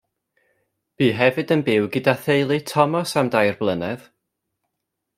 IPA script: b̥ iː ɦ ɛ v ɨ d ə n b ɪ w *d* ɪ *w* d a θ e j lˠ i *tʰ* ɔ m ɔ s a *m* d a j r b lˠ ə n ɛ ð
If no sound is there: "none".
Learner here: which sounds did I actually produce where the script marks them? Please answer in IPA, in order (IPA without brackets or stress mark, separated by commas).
ɡ, none, tʰ, m